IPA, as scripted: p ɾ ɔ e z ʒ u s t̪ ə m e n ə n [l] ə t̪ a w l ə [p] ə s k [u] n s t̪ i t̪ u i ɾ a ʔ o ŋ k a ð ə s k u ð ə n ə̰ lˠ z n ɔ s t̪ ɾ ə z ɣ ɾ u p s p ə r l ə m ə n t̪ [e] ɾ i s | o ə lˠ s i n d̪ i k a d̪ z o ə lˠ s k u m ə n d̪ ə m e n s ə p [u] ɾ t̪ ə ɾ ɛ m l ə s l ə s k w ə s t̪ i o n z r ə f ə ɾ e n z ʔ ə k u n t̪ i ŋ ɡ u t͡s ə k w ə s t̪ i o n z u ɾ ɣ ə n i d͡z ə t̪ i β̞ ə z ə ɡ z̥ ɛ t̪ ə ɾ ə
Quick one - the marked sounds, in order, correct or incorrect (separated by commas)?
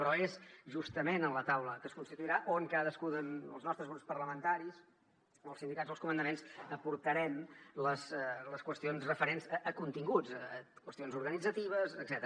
correct, incorrect, correct, incorrect, correct